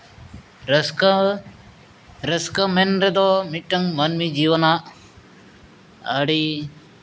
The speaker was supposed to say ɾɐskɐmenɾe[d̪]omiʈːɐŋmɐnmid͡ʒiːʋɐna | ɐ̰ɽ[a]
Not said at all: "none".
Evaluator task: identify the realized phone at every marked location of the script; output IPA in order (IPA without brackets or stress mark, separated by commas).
d̪, i